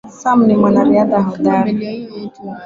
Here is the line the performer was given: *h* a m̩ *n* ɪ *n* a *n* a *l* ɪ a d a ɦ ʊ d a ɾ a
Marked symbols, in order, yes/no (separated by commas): no, yes, no, yes, no